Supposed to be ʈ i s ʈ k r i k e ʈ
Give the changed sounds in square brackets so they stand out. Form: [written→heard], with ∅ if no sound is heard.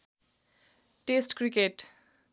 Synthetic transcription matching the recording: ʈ [i→e] s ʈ k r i k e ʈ